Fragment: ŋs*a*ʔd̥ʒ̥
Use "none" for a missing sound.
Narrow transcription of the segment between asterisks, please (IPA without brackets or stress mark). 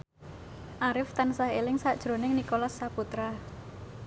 a